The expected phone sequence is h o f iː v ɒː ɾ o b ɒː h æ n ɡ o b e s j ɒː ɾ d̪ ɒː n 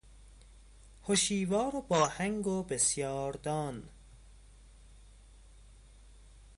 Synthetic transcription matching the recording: h o ʃ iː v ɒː ɾ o b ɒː h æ ŋ ɡ o b e s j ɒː ɾ d̪ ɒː n